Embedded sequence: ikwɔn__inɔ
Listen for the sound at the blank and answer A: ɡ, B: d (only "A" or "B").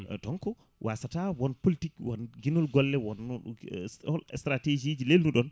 A